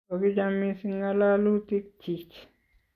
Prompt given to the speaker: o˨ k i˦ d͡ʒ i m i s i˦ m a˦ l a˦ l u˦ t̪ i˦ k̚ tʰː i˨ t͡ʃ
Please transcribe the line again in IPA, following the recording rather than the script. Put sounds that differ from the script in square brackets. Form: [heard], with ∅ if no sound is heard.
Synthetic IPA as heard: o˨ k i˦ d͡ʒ [a] m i s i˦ [ŋ] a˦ l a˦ l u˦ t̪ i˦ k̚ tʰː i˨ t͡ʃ

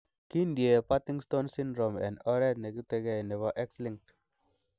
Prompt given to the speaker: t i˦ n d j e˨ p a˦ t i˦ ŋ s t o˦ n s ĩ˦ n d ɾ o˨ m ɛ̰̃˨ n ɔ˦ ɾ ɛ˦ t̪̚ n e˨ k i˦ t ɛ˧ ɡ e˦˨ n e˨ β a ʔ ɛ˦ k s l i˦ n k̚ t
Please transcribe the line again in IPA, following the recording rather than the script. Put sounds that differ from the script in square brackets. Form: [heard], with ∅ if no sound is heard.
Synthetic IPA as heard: [k] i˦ n d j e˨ p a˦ t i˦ ŋ s t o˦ n s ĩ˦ n d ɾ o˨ m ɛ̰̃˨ n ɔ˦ ɾ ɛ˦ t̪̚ n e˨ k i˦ t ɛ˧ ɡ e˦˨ n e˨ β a ʔ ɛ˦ k s l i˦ [ŋ] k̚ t

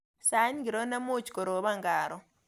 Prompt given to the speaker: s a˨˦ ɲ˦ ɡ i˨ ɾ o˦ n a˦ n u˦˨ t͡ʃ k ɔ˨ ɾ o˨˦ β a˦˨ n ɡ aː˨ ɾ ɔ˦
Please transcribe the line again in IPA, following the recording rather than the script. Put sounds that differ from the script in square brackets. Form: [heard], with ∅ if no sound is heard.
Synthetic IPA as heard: s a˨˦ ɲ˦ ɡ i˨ ɾ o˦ n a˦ [m] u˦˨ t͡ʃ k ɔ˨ ɾ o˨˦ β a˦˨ [ŋ] ɡ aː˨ ɾ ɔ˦

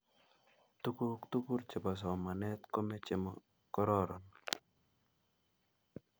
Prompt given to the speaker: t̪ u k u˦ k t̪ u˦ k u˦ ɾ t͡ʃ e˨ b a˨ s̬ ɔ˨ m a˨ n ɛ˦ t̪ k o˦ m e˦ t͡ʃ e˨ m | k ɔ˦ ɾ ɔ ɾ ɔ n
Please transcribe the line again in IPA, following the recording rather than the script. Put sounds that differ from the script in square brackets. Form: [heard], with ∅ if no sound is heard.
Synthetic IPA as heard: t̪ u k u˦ k t̪ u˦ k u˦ ɾ t͡ʃ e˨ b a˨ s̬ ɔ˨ m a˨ n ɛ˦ t̪ k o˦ m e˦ t͡ʃ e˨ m | k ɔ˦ ɾ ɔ ɾ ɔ n

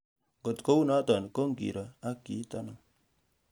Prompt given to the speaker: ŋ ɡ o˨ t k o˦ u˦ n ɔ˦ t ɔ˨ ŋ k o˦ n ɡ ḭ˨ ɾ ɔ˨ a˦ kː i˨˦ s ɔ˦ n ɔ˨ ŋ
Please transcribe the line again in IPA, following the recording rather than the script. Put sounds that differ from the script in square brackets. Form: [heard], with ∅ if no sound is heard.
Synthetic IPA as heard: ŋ ɡ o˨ t k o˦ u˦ n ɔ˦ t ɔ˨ [n] k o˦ [ŋ] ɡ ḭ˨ ɾ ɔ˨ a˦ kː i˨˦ [t] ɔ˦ n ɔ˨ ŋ

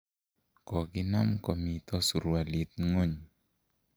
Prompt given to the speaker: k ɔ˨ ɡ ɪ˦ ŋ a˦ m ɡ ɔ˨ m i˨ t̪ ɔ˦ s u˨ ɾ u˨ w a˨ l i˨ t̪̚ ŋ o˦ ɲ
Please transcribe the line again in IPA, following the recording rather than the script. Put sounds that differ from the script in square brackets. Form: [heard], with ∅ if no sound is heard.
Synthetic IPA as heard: k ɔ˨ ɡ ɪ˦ [n] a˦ m [k] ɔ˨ m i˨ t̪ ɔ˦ s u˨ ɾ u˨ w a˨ l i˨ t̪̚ ŋ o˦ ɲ

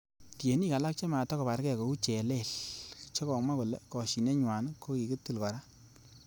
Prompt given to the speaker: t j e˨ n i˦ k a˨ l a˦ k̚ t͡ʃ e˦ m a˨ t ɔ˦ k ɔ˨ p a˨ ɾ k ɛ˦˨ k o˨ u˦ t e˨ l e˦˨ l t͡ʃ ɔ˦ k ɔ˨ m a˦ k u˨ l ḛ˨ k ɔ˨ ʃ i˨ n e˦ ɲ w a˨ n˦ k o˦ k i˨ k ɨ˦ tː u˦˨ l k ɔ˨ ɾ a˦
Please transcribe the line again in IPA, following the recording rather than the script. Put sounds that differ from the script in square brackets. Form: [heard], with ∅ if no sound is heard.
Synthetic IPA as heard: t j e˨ n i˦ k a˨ l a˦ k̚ t͡ʃ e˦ m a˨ t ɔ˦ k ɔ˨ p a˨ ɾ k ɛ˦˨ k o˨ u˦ [t͡ʃ] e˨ l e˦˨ l t͡ʃ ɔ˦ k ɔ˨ m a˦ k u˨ l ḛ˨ k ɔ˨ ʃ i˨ n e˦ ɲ w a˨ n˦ k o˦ k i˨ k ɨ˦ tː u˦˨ l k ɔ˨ ɾ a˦

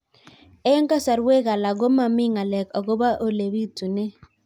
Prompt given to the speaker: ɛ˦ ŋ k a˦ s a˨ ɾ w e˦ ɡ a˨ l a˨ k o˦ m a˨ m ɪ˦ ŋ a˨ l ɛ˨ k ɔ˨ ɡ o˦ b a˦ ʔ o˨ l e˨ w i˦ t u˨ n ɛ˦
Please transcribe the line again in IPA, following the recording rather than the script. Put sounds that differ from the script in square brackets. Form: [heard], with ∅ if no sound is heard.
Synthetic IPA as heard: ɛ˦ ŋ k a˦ s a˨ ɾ w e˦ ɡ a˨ l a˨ [ɡ] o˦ m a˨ m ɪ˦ ŋ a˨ l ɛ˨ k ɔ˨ ɡ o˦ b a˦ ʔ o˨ l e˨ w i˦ t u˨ n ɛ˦

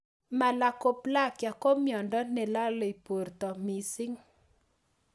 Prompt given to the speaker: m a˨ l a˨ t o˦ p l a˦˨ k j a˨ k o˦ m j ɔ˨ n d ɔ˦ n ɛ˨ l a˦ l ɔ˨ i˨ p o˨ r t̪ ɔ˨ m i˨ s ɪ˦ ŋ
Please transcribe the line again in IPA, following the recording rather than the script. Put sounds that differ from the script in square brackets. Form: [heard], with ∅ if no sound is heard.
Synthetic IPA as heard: m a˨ l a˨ [k] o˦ p l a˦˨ k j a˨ k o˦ m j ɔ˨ n d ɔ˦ n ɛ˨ l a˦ l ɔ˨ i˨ p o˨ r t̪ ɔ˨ m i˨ s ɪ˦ ŋ

